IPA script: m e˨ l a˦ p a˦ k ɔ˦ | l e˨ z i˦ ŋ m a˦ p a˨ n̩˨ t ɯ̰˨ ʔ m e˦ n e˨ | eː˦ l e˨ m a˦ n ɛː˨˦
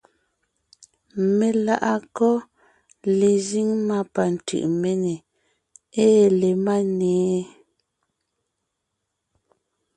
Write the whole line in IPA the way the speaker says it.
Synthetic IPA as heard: m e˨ l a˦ ʔ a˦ k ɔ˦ | l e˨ z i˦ ŋ m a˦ p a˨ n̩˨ t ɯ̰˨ ʔ m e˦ n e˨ | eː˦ l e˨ m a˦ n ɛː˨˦